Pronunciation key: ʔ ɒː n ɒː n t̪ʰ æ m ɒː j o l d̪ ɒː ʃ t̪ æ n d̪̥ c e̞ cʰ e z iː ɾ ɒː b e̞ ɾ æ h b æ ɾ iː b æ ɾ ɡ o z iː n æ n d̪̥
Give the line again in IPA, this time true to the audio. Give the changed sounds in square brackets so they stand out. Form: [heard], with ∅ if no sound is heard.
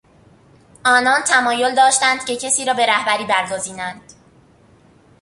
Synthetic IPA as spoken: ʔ ɒː n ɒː n t̪ʰ æ m ɒː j o l d̪ ɒː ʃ t̪ æ n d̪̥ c e̞ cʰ e [s] iː ɾ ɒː b e̞ ɾ æ h b æ ɾ iː b æ ɾ ɡ o z iː n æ n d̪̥